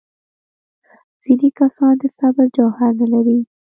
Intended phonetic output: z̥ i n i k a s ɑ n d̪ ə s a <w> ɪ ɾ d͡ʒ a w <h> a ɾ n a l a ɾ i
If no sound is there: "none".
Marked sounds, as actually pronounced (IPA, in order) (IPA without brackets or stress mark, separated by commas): b, h